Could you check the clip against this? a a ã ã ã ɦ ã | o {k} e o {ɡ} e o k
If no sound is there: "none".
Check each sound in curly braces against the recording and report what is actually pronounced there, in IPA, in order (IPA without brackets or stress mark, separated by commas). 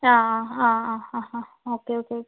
k, k